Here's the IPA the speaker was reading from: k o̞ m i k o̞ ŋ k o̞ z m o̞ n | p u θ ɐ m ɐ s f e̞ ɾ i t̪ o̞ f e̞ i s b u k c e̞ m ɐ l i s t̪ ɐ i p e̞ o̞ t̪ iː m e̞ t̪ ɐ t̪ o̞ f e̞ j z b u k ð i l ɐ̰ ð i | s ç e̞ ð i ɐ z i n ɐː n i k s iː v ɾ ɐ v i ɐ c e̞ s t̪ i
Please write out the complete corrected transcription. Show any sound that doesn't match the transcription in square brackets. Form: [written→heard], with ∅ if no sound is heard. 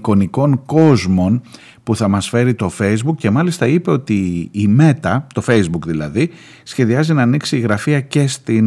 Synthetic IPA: k o̞ [m→n] i k o̞ ŋ k o̞ z m o̞ n | p u θ ɐ m ɐ s f e̞ ɾ i t̪ o̞ f e̞ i [s→z] b u k c e̞ m ɐ l i s t̪ ɐ i p e̞ o̞ t̪ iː m e̞ t̪ ɐ t̪ o̞ f e̞ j z b u k ð i l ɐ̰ ð i | s ç e̞ ð i ɐ z i n ɐː n i k s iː [v→ɣ] ɾ ɐ [v→f] i ɐ c e̞ s t̪ i